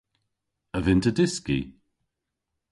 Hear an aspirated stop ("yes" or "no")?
no